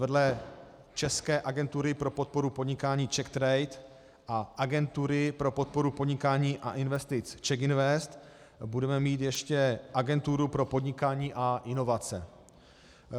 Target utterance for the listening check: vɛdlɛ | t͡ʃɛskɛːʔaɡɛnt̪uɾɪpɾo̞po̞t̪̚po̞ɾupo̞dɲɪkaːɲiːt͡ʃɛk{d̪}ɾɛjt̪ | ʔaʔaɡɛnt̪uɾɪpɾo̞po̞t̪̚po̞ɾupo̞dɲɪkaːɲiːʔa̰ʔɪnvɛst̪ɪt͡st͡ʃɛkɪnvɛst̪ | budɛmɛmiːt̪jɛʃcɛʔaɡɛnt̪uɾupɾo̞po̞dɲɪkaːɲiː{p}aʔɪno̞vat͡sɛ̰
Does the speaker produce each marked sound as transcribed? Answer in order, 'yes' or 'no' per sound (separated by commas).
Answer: no, no